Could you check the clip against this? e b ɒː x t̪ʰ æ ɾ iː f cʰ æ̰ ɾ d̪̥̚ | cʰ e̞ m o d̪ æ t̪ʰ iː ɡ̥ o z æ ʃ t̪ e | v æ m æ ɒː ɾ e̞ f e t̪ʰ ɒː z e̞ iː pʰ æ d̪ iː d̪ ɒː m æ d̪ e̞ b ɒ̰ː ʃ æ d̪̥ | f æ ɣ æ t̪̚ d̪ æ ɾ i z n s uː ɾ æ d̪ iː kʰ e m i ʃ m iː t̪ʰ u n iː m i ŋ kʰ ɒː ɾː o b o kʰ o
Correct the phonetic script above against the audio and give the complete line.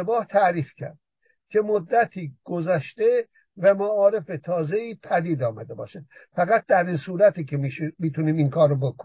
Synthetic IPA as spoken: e b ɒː h t̪ʰ æ ɾ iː f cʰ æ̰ ɾ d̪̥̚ | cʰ e̞ m o d̪ː æ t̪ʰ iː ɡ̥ o z æ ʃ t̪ e | v æ m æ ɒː ɾ e̞ f e t̪ʰ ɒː z e̞ iː pʰ æ d̪ iː d̪ ɒː m æ d̪ e̞ b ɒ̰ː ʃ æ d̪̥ | f æ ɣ æ t̪̚ d̪ æ ɾ i n s uː ɾ æ t̪ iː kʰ e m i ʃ m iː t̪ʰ u n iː m i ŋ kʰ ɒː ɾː o b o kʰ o